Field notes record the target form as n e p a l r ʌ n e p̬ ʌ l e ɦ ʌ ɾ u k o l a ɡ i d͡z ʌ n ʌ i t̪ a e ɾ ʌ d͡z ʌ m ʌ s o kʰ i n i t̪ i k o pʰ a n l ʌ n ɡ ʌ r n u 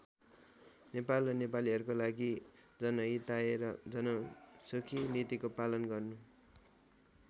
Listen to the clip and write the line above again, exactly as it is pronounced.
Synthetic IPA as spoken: n e p a l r ʌ n e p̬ a l i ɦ ʌ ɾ u k o l a ɡ i d͡z ʌ n ʌ i t̪ a e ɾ ʌ d͡z ʌ n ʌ s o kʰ i n i t̪ i k o p a l ʌ n ɡ ʌ r n u